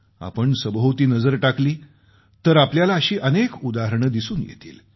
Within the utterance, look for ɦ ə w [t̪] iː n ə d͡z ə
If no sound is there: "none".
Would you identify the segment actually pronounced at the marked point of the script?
t̪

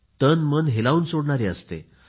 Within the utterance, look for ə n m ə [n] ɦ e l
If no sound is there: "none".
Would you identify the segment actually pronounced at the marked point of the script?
n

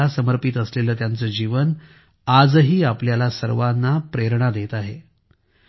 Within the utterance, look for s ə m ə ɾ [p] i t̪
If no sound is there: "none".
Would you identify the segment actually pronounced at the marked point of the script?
p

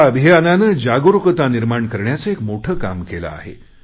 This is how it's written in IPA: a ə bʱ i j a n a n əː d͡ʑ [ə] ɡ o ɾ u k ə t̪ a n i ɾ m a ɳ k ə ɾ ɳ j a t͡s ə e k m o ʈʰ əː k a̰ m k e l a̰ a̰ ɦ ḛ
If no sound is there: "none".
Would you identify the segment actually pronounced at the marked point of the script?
a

